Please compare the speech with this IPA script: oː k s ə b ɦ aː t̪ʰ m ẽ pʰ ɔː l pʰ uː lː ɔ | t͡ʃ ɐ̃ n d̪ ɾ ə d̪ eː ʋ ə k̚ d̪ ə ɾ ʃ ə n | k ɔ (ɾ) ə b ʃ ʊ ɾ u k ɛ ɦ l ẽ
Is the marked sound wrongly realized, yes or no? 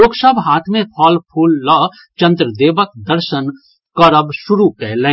no